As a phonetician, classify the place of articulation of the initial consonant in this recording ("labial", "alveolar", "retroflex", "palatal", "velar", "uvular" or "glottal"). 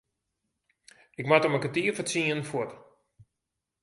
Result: velar